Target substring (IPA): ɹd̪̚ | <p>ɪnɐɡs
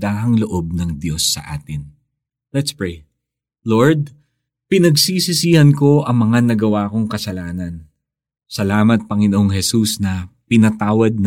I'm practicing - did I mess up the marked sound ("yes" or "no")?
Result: no